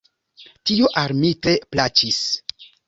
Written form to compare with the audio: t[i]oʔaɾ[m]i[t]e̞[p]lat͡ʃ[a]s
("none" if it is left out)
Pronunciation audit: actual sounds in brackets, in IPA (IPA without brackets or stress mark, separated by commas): i, m, t, p, i